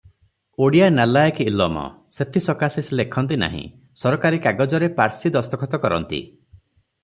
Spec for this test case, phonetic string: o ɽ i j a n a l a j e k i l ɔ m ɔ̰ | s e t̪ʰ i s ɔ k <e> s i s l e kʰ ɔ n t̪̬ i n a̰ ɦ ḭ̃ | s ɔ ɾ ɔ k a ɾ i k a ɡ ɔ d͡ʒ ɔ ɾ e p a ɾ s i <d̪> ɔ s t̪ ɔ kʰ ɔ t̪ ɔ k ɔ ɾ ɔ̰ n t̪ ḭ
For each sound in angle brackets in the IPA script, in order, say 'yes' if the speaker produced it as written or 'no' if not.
no, yes

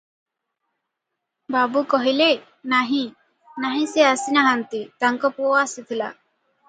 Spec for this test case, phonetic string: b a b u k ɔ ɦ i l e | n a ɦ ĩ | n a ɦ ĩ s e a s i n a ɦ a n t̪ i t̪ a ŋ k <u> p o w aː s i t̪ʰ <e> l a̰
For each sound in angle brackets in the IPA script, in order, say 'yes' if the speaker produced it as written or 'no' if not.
no, no

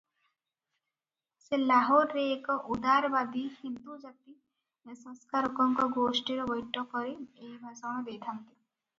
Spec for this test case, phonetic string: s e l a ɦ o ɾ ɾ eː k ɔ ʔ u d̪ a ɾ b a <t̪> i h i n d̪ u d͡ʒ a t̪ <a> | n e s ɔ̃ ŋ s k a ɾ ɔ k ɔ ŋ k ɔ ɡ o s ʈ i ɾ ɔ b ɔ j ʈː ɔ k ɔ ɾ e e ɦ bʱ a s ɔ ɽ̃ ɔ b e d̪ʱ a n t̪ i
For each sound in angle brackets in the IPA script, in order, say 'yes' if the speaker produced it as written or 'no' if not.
no, no

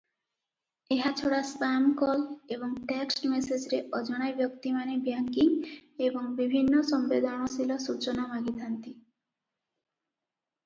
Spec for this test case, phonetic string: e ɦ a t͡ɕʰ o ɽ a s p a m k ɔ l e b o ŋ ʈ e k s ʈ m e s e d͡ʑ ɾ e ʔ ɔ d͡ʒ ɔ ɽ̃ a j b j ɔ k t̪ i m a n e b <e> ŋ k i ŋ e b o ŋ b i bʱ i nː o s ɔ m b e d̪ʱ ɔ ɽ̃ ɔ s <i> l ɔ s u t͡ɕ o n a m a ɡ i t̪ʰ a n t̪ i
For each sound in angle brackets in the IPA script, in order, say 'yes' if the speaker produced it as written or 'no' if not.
no, yes

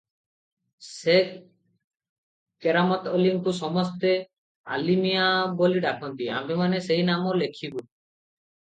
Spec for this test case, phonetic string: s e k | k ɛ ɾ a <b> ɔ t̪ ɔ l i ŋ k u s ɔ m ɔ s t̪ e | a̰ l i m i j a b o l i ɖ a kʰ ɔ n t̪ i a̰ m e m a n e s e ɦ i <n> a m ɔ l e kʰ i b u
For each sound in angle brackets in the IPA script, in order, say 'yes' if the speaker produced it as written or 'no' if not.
no, yes

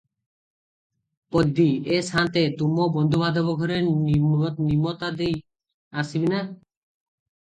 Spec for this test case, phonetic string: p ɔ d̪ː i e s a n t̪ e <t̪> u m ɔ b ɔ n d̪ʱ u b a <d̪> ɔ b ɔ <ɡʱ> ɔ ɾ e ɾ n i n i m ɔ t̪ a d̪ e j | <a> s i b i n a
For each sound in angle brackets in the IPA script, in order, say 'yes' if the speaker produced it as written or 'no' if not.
yes, yes, yes, yes

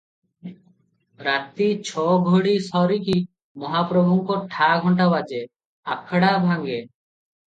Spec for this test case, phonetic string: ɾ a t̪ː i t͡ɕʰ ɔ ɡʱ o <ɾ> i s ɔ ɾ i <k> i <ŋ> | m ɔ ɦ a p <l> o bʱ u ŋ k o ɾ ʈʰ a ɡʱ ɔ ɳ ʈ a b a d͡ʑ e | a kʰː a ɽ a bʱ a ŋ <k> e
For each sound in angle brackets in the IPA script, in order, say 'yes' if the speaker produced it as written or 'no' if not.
no, yes, no, no, no

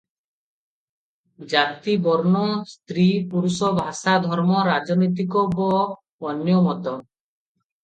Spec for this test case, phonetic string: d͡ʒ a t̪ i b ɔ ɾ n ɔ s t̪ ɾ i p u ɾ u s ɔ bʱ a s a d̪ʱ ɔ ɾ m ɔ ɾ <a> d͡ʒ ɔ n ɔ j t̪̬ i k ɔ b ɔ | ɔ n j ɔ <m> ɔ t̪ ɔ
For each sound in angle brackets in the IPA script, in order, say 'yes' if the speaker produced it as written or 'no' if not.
yes, yes

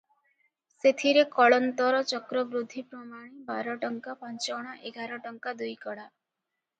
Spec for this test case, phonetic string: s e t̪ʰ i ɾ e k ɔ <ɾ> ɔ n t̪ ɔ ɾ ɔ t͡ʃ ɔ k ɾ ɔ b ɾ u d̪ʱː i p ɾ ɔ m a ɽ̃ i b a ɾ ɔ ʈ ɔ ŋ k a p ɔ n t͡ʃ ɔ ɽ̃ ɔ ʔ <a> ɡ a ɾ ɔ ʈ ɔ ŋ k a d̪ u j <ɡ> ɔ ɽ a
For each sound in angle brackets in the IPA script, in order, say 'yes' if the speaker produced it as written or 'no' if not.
no, no, no

